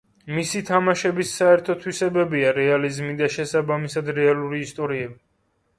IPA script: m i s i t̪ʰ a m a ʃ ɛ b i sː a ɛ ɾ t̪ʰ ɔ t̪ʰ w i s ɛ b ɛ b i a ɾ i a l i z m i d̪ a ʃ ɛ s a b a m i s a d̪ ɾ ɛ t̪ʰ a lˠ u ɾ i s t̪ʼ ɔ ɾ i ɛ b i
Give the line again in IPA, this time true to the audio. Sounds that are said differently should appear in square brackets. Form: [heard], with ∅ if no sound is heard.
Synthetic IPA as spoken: m i s i t̪ʰ a m a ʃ ɛ b i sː a ɛ ɾ t̪ʰ ɔ t̪ʰ w i s ɛ b ɛ b i a ɾ [ɛ] a l i z m i d̪ a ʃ ɛ s a b a m i s a d̪ ɾ ɛ [∅] a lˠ u ɾ [iː] s t̪ʼ ɔ ɾ i ɛ b i